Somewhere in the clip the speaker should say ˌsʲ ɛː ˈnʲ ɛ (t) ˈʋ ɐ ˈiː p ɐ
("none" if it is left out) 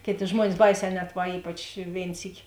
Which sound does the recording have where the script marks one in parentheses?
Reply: t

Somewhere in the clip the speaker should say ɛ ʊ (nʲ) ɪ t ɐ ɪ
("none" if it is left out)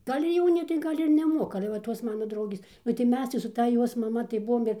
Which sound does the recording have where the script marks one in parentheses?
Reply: nʲ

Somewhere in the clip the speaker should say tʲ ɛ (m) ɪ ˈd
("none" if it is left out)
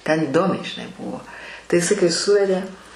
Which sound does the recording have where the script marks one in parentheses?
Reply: n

